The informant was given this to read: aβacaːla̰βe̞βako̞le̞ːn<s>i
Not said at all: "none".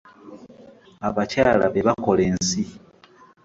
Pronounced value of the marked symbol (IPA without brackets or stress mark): s